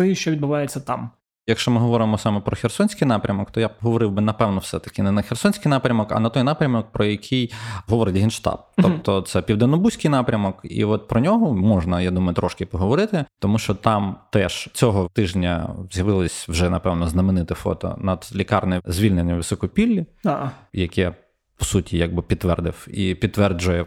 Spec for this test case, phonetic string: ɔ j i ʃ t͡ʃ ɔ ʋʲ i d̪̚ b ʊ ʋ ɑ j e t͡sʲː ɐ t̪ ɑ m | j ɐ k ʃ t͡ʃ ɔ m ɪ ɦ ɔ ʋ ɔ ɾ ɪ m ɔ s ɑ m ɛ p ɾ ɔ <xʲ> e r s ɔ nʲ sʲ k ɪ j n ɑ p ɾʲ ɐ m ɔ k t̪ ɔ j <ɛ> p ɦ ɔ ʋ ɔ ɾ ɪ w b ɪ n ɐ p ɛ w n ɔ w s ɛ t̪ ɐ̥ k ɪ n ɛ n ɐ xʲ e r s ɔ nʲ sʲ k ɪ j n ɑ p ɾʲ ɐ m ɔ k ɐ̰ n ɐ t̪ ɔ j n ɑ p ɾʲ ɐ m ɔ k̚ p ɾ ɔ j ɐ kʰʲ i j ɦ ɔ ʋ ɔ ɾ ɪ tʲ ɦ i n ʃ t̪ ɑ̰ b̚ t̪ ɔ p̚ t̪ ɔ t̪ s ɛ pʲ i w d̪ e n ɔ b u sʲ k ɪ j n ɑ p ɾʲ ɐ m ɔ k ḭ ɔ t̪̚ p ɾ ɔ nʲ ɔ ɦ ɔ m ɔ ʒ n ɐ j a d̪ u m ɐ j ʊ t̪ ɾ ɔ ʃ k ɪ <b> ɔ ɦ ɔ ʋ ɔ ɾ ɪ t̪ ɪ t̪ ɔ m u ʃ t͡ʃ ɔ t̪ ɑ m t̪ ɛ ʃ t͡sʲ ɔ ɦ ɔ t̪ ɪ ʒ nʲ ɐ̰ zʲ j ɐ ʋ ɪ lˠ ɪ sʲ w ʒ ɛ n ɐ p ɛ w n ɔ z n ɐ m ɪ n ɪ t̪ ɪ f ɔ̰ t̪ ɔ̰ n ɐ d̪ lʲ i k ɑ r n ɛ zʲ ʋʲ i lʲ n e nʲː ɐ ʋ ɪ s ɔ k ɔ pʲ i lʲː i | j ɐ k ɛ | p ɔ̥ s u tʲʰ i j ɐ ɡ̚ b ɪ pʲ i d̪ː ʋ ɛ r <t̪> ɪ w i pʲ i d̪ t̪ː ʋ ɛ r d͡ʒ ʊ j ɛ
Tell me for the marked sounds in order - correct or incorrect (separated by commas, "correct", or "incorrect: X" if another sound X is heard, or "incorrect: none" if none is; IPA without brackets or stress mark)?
correct, incorrect: a, incorrect: p, incorrect: d̪